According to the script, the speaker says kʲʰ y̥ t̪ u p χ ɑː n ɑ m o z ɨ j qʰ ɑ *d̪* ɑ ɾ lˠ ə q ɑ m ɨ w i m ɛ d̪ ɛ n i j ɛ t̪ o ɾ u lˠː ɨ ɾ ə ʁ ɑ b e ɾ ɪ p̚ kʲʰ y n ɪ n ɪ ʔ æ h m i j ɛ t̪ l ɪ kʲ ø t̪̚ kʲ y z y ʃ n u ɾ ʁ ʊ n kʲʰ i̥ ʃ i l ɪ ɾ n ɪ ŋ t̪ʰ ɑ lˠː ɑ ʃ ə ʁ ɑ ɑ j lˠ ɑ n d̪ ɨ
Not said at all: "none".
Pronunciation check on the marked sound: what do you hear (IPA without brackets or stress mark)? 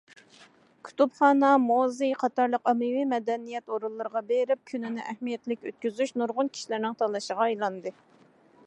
t̪